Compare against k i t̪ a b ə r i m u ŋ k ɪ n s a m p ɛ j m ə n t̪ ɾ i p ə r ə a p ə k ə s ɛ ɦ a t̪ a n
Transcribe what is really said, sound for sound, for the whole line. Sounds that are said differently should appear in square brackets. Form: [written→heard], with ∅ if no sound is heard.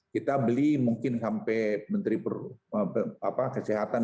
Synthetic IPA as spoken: k i t̪ a b ə [r→l] i m u ŋ k ɪ n s a m p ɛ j m ə n t̪ ɾ i p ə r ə a p [ə→a] k ə s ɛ ɦ a t̪ a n